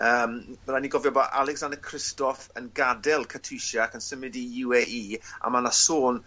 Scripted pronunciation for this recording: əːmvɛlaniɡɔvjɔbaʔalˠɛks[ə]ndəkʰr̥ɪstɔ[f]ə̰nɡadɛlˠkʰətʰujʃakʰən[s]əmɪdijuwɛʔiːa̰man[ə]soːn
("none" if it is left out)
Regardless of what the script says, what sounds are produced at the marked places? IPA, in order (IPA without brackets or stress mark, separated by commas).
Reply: a, f, s, a